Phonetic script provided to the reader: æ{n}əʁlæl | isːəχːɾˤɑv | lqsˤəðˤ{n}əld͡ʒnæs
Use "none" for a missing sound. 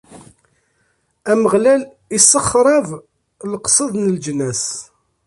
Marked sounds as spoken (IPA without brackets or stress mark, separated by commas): m, n